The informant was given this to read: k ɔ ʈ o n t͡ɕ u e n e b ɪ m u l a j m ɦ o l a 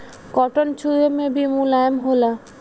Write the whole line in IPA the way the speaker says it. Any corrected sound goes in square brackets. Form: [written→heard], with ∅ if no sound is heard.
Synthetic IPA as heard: k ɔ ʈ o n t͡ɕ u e [n→m] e b [ɪ→i] m u l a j m ɦ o l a